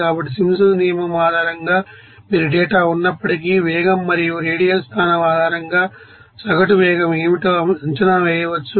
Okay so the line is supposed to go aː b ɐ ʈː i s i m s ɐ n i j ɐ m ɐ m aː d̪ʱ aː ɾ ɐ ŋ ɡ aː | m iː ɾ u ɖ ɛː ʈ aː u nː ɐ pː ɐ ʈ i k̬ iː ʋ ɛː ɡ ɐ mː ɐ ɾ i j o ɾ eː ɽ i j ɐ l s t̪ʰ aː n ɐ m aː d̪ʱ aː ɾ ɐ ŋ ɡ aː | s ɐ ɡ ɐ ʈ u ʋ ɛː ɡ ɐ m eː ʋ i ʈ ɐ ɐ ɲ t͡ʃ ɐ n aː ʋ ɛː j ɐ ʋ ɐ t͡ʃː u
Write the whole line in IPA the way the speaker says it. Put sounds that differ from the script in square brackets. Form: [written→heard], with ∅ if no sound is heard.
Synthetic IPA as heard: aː b ɐ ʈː i s i m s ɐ n i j ɐ m ɐ m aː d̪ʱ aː ɾ ɐ ŋ ɡ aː | m iː ɾ u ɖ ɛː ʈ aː u nː ɐ pː ɐ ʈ i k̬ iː ʋ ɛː ɡ ɐ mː ɐ ɾ i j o ɾ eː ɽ i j ɐ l s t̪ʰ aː n ɐ m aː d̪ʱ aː ɾ ɐ ŋ ɡ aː | s ɐ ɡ ɐ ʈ u ʋ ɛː ɡ ɐ m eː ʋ i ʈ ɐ ɐ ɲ t͡ʃ ɐ n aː ʋ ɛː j ɐ ʋ ɐ t͡ʃː u